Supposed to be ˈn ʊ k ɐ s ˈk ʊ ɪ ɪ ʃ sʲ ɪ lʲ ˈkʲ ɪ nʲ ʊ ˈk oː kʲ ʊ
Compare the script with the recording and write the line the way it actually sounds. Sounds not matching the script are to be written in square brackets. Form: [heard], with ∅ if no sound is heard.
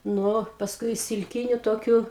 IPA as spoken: ˈn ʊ [p] ɐ s ˈk ʊ ɪ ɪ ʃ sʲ ɪ lʲ ˈkʲ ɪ nʲ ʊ [ˈt] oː kʲ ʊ